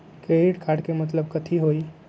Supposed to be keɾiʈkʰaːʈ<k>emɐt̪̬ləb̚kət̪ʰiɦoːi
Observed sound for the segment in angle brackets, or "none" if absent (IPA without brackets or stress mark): k